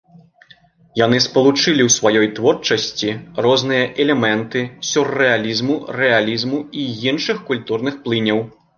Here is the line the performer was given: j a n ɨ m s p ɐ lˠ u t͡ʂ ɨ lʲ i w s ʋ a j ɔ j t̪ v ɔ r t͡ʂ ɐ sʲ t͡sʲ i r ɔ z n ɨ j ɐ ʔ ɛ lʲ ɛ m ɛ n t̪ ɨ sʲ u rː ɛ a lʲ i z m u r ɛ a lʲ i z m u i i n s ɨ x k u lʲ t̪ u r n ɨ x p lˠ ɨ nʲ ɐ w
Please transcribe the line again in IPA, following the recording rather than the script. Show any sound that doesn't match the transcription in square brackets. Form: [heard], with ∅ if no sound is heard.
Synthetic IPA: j a n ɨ [∅] s p ɐ lˠ u t͡ʂ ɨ lʲ i w s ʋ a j ɔ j t̪ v ɔ r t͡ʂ ɐ sʲ t͡sʲ i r ɔ z n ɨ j ɐ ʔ ɛ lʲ ɛ m ɛ n t̪ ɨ sʲ u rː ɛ a lʲ i z m u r ɛ a lʲ i z m u i i n [ʂ] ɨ x k u lʲ t̪ u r n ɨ x p lˠ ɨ nʲ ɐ w